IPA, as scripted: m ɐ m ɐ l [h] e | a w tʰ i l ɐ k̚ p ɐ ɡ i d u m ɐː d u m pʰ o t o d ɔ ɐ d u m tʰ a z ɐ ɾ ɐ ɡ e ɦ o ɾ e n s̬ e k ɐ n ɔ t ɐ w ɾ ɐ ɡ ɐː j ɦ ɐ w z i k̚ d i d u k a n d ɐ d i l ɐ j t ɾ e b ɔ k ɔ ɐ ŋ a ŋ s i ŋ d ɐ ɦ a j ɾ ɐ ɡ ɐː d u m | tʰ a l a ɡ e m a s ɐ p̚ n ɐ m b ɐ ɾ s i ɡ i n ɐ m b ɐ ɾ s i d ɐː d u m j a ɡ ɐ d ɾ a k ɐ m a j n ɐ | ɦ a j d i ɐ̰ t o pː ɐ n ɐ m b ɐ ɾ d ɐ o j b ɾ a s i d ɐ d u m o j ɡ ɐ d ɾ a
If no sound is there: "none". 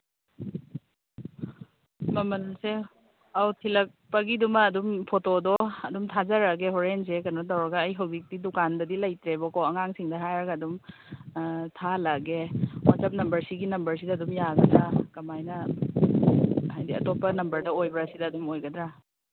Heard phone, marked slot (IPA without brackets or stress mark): s